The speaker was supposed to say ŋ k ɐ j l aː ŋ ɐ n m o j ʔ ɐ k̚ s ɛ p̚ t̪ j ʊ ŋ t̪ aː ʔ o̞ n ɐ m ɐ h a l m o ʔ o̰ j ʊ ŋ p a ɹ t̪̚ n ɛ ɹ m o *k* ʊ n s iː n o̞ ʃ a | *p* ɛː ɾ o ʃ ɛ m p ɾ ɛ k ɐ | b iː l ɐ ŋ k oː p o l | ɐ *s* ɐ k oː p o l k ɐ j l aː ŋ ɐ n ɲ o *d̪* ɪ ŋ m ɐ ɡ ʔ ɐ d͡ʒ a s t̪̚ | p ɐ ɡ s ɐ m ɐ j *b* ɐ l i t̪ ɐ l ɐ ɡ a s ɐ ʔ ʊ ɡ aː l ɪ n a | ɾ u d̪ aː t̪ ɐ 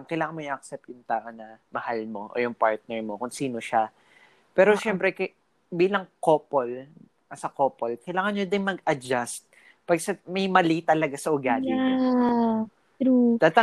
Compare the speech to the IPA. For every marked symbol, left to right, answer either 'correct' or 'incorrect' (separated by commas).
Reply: correct, correct, correct, correct, incorrect